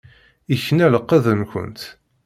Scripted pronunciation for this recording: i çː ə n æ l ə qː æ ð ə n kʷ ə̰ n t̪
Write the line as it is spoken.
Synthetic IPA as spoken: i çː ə n æ l ə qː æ ð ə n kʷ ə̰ n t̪